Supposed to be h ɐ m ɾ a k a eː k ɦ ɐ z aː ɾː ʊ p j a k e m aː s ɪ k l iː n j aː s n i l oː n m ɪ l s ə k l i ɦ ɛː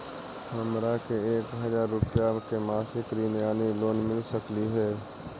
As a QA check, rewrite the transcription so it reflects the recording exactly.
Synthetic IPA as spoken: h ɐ m ɾ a k e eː k ɦ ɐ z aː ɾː ʊ p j a k e m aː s ɪ k ɾ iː n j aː n i l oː n m ɪ l s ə k l i ɦ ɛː